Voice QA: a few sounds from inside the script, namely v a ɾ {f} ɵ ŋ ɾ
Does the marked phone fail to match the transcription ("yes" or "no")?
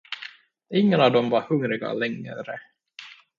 yes